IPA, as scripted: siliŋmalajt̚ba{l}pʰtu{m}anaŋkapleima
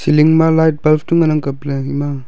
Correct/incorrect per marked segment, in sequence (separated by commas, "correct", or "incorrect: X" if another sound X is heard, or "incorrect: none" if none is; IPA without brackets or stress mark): correct, incorrect: ŋ